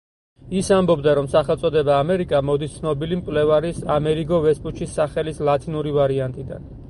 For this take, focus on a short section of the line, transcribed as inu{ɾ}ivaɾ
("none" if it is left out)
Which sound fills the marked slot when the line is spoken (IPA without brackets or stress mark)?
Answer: ɾ